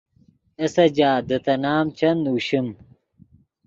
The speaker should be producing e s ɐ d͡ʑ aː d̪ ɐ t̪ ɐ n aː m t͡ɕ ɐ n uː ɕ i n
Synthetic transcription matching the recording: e s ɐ d͡ʑ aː d̪ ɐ t̪ ɐ n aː m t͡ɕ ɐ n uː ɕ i m